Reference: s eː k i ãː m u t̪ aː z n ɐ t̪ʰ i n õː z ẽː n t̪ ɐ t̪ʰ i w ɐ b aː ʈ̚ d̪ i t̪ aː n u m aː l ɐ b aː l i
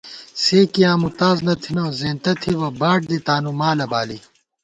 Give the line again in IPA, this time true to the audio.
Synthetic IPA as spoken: s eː k i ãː m u t̪ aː z n ɐ t̪ʰ i n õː z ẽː n t̪ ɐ t̪ʰ i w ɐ b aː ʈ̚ d̪ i t̪ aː n u m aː l ɐ b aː l i